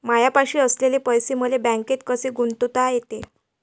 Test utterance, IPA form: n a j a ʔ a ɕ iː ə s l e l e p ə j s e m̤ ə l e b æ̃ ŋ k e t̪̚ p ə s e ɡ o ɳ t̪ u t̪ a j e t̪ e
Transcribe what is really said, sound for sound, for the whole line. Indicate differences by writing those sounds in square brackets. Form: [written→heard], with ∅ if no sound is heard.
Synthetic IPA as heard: [n→m] a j a [ʔ→p] a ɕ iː ə s l e l e p ə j s e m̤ ə l e b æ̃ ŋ k e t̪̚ [p→k] ə s e ɡ [o→u] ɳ t̪ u t̪ a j e t̪ e

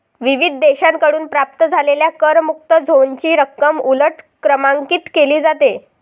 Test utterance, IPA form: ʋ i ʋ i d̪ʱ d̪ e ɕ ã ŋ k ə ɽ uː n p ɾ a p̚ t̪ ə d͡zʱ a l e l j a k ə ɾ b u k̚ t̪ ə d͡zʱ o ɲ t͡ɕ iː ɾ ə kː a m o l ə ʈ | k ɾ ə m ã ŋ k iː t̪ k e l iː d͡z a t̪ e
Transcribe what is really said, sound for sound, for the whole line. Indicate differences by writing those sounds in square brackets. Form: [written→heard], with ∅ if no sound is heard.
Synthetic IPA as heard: ʋ i ʋ i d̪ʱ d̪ e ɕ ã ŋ k ə ɽ uː n p ɾ a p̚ t̪ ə d͡zʱ a l e l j a k ə ɾ [b→m] u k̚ t̪ ə d͡zʱ o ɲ t͡ɕ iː ɾ ə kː [a→ə] m [o→u] l ə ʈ | k ɾ ə m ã ŋ k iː t̪ k e l iː d͡z a t̪ e

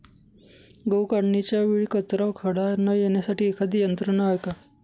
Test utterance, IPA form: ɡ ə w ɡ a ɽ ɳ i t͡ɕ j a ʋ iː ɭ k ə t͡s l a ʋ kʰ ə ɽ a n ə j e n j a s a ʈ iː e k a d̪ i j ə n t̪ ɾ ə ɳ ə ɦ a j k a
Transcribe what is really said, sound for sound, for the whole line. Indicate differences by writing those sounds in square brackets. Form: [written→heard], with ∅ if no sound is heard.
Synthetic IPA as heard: ɡ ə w [ɡ→k] a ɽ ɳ i t͡ɕ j a ʋ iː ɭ k ə t͡s [l→ɾ] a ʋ kʰ ə ɽ a n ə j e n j a s a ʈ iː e [k→kʰ] a d̪ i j ə n t̪ ɾ ə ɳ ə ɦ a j k a

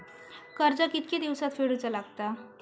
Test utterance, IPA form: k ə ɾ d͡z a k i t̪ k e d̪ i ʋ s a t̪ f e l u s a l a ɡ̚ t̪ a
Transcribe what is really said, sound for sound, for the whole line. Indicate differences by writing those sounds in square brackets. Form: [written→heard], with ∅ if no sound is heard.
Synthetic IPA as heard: k ə ɾ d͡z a k i t̪ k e d̪ i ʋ s a t̪ f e [l→ɽ] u [s→t͡s] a l a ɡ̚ t̪ a

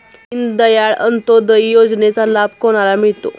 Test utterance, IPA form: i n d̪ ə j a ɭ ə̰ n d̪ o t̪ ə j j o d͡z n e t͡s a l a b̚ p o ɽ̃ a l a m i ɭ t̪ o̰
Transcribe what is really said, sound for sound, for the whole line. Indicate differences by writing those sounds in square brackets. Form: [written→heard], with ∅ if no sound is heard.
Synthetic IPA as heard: i n d̪ ə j a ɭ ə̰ n [d̪→t̪] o [t̪→d̪] ə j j o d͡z n e t͡s a l a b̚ [p→k] o ɽ̃ a l a m i ɭ t̪ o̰

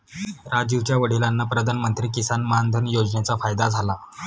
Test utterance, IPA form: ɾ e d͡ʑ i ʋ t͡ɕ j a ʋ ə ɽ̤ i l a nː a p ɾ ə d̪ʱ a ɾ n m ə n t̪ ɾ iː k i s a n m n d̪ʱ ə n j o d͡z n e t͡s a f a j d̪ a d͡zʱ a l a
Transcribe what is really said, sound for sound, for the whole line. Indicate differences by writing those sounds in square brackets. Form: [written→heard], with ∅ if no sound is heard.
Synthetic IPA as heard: ɾ [e→a] d͡ʑ i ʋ t͡ɕ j a ʋ ə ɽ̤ i l a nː a p ɾ ə d̪ʱ a [ɾ→∅] n m ə n t̪ ɾ iː k i s a n m n d̪ʱ ə n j o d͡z n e t͡s a f a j d̪ a d͡zʱ a l a

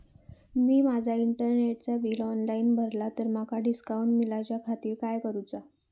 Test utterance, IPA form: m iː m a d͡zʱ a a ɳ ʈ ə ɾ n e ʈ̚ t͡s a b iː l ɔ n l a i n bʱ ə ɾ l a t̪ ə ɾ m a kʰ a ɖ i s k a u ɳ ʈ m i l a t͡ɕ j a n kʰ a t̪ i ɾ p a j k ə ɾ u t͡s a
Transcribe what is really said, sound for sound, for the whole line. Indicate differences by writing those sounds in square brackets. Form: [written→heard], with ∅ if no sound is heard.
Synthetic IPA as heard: m iː m a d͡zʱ a [a→i] ɳ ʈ ə ɾ n e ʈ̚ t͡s a b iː l ɔ n l a i n bʱ ə ɾ l a t̪ ə ɾ m a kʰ a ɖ i s k a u ɳ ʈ m i l a t͡ɕ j a [n→∅] kʰ a t̪ [i→iː] ɾ [p→k] a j k ə ɾ u t͡s a

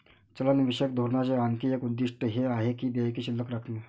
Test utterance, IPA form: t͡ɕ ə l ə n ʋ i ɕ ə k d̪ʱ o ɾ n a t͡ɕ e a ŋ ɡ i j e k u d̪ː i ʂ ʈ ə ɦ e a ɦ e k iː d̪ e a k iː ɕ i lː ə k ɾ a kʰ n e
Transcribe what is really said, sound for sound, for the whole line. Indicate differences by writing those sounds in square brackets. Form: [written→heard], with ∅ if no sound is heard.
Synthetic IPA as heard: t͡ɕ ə l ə n ʋ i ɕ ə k d̪ʱ o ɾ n a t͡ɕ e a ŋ [ɡ→k] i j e k u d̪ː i ʂ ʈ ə ɦ e a ɦ e k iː d̪ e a k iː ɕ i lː ə k ɾ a kʰ n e

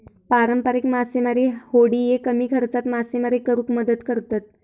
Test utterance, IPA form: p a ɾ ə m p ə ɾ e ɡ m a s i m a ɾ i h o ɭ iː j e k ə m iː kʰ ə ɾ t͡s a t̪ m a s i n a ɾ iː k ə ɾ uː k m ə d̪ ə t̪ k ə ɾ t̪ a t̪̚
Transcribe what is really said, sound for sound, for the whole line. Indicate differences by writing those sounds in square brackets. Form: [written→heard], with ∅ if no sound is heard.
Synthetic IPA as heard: p a ɾ ə m p ə ɾ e [ɡ→k] m a s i m a ɾ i h o [ɭ→ɽ] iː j e k ə m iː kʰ ə ɾ t͡s a t̪ m a s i [n→m] a ɾ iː k ə ɾ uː k m ə d̪ ə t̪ k ə ɾ t̪ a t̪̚

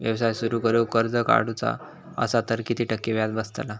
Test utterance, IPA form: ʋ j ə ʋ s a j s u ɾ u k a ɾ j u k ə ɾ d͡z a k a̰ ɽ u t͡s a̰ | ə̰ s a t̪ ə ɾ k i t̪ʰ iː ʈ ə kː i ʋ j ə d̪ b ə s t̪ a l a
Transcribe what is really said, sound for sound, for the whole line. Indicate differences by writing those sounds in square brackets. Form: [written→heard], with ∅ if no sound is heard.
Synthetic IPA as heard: ʋ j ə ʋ s a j s u ɾ u k [a→ə] ɾ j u k ə ɾ d͡z [a→ə] k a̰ ɽ u t͡s a̰ | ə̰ s a t̪ ə ɾ k i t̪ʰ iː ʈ ə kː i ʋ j [ə→a] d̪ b ə s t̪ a l a

